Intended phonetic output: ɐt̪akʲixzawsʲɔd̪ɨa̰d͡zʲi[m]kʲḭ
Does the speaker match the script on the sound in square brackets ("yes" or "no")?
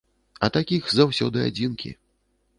no